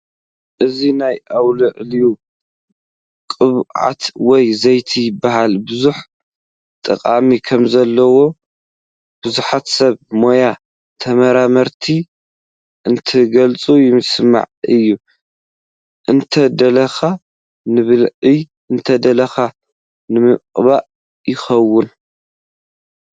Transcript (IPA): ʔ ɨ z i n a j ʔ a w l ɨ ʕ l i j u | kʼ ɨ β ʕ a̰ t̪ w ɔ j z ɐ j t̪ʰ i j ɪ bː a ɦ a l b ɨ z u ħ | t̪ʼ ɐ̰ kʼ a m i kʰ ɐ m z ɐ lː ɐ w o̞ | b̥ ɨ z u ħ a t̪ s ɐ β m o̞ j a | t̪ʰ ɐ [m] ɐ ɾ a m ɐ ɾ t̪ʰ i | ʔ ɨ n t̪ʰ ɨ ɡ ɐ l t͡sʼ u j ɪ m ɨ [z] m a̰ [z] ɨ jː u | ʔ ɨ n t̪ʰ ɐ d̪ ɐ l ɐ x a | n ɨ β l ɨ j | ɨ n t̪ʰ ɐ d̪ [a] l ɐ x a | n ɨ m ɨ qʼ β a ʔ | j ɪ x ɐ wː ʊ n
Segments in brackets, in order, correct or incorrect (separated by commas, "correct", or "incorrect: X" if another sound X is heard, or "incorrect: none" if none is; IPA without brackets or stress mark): correct, incorrect: s, incorrect: ʕ, incorrect: ɐ